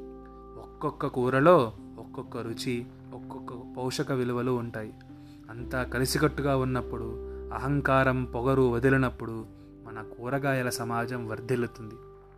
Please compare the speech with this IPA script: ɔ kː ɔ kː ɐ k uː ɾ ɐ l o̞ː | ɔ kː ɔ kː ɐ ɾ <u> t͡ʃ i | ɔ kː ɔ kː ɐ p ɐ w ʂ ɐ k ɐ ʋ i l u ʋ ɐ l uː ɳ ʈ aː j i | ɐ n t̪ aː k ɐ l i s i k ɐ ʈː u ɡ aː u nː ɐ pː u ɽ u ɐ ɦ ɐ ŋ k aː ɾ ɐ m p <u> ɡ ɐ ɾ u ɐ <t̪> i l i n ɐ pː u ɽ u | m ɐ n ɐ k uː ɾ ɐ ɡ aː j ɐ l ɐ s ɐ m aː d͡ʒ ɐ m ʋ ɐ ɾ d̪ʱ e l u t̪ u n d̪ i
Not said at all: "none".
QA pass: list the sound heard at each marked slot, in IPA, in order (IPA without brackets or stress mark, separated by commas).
u, ɔ, d̪